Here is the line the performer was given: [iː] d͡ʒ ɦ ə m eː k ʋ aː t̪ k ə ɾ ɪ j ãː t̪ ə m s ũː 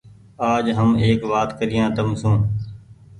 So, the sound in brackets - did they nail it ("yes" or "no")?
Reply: no